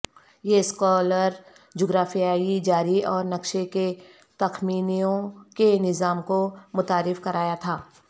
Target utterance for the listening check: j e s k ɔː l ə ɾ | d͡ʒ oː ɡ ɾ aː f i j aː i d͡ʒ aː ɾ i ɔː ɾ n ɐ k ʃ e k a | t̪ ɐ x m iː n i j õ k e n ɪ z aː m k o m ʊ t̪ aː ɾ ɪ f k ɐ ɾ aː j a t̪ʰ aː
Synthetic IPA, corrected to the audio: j e s k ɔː l ə ɾ | d͡ʒ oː ɡ ɾ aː f i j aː i d͡ʒ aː ɾ i ɔː ɾ n ɐ k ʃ e k e | t̪ ɐ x m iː n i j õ k e n ɪ z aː m k o m ʊ t̪ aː ɾ ɪ f k ɐ ɾ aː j a t̪ʰ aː